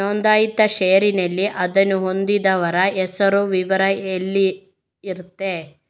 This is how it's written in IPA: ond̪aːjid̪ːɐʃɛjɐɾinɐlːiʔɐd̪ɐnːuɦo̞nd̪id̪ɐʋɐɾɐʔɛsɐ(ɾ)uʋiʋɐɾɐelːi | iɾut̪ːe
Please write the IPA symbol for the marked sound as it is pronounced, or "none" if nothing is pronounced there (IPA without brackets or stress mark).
ɾ